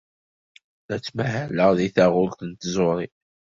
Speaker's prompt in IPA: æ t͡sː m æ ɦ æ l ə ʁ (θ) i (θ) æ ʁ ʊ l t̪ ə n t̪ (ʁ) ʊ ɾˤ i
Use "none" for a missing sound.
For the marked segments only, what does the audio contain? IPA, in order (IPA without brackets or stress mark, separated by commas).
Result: ð, θ, z